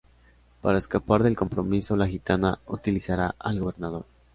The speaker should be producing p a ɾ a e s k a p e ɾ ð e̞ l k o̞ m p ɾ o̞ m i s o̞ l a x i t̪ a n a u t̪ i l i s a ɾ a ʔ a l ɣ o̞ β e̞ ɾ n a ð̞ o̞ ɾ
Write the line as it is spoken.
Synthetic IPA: p a ɾ a e s k a p a ɾ ð e̞ l k o̞ m p ɾ o̞ m i s o̞ l a x i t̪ a n a u t̪ i l i s a ɾ a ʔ a l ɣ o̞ β e̞ ɾ n a ð̞ o̞ ɾ